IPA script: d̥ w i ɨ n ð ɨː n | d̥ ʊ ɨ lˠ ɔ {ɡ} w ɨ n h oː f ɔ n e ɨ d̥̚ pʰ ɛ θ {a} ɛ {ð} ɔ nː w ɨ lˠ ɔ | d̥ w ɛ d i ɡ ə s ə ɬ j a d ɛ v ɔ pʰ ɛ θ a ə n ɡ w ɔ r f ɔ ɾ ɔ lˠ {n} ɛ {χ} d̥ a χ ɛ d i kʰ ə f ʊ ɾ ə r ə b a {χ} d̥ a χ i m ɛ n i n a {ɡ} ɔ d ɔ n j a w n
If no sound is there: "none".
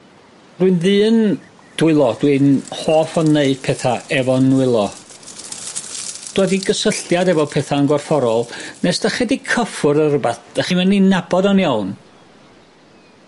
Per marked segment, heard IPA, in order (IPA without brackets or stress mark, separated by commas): d, a, v, n, s, θ, b